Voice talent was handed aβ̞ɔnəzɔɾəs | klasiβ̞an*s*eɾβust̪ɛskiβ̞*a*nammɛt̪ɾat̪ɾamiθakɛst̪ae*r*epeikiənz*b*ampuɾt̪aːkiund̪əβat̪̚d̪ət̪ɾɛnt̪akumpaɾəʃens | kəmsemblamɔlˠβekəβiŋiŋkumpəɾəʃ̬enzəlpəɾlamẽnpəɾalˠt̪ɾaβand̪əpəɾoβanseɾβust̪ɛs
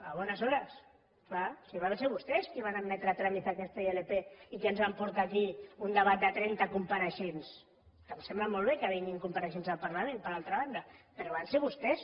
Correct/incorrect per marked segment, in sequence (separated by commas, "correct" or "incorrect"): correct, correct, incorrect, incorrect